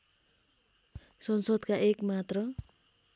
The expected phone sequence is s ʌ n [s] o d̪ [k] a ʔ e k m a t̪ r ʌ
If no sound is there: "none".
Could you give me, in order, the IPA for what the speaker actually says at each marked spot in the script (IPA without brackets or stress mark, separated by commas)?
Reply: s, k